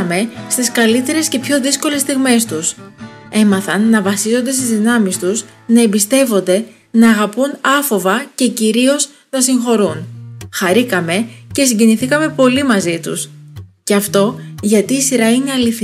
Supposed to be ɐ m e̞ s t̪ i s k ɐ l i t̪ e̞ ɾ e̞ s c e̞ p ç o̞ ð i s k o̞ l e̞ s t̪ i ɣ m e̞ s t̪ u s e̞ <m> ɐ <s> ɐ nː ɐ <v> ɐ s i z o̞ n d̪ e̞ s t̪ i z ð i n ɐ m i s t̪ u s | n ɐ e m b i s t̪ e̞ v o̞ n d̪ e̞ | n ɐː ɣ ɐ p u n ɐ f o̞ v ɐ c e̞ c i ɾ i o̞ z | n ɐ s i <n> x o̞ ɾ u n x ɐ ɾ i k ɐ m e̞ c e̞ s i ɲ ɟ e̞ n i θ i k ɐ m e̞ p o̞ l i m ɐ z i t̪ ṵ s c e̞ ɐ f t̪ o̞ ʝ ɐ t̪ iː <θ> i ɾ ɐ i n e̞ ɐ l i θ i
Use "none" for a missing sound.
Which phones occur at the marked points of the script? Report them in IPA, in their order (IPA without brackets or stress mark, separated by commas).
m, θ, v, ŋ, s